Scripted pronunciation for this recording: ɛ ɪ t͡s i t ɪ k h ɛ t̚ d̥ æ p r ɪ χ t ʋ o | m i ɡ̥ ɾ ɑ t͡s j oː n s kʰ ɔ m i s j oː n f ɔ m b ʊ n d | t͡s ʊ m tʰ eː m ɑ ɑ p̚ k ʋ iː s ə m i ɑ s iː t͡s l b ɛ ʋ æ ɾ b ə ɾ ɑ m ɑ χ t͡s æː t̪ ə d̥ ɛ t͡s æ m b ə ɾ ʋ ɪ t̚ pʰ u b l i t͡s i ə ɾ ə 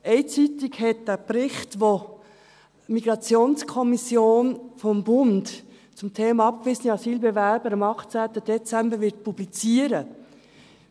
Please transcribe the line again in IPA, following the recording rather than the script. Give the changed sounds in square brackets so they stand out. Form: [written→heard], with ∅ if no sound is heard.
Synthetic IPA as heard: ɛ ɪ t͡s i t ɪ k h ɛ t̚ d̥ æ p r ɪ χ t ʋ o | m i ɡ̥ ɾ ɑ t͡s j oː n s kʰ ɔ m i s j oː n f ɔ m b ʊ n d | t͡s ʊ m tʰ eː m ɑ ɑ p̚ k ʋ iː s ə [m→n] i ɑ s iː [t͡s→∅] l b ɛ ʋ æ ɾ b ə ɾ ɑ m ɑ χ t͡s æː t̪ ə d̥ ɛ t͡s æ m b ə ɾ ʋ ɪ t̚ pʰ u b l i t͡s i ə ɾ ə